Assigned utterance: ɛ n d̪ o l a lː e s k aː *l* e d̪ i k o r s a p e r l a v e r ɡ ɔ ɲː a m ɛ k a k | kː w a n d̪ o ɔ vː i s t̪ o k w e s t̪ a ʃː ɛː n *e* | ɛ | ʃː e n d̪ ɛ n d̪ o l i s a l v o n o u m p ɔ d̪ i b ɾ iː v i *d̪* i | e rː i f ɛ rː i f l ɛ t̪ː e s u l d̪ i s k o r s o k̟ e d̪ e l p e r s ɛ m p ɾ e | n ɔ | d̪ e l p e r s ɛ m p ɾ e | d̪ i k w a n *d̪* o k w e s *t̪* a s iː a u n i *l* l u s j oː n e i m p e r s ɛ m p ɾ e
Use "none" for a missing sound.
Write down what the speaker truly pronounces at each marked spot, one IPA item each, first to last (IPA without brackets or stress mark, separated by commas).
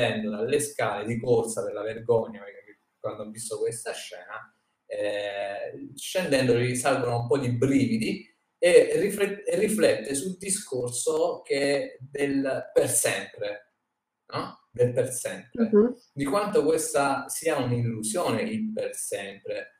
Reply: l, a, d̪, t̪, t̪, l